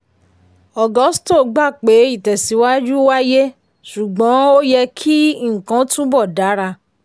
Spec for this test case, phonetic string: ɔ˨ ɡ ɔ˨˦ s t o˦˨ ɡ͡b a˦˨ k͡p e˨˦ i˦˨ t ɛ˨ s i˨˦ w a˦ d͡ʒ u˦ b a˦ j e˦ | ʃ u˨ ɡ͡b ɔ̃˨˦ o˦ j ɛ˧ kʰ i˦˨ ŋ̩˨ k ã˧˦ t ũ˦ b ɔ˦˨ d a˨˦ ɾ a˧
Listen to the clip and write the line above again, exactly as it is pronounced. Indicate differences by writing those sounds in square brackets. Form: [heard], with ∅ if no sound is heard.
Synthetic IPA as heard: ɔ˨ ɡ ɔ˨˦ s t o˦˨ ɡ͡b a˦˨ k͡p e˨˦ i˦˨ t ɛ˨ s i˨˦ w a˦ d͡ʒ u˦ [w] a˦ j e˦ | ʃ u˨ ɡ͡b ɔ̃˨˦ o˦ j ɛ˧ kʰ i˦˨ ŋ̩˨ k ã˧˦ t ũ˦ b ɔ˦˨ d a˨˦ ɾ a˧